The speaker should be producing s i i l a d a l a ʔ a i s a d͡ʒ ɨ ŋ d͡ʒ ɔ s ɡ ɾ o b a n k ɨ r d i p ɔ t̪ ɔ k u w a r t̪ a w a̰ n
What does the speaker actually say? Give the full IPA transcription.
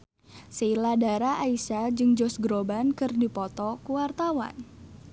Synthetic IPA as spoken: s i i l a d a ɾ a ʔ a i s a d͡ʒ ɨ ŋ d͡ʒ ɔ s ɡ ɾ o b a n k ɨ r d i p ɔ t̪ ɔ k u w a r t̪ a w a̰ n